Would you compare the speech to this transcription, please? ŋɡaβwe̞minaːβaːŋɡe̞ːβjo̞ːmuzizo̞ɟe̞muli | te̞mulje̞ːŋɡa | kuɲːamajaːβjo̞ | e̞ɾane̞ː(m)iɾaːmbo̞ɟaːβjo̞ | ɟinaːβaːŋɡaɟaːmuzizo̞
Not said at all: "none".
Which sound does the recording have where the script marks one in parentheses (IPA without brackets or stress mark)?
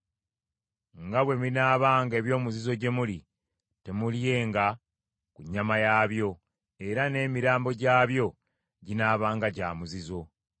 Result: m